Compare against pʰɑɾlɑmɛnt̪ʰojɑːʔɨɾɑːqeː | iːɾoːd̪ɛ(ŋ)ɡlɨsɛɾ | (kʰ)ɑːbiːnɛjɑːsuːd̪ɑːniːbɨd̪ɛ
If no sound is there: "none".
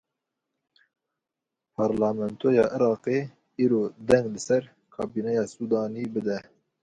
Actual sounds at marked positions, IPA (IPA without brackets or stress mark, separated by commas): ŋ, kʰ